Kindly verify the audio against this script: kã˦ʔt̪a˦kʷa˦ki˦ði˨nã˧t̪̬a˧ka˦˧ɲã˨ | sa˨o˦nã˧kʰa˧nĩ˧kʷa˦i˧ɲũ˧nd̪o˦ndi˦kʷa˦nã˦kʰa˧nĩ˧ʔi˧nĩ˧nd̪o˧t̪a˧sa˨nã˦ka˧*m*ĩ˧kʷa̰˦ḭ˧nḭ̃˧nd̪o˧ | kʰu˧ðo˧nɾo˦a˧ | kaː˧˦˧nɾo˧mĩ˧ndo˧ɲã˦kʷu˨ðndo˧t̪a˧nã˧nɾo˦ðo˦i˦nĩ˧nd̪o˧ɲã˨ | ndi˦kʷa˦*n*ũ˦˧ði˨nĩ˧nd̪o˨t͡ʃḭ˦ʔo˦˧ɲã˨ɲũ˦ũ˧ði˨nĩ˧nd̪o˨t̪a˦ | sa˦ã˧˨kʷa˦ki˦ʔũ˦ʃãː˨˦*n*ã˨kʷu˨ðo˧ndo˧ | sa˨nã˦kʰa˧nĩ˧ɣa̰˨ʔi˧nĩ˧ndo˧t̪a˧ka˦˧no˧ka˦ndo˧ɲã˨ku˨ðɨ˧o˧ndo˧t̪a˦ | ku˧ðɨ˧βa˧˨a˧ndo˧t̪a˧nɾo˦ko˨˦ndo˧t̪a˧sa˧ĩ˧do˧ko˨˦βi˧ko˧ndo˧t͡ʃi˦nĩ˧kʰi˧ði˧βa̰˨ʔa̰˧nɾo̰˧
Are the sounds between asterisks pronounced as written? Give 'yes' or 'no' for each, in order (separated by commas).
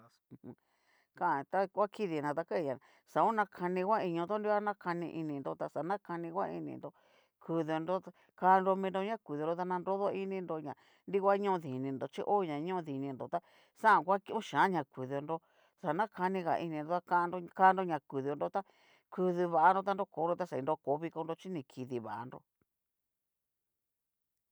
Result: no, no, no